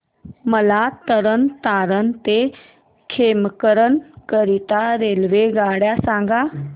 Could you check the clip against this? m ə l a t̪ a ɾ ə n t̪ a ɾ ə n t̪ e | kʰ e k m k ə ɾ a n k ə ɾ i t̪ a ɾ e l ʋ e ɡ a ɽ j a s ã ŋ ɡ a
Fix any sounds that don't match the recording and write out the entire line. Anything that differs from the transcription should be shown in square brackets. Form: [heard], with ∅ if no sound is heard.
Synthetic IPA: m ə l a t̪ [ə] ɾ ə n t̪ a ɾ ə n t̪ e | kʰ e [∅] m k ə ɾ [ə] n k ə ɾ i t̪ a ɾ e l ʋ e ɡ a ɽ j a s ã ŋ ɡ a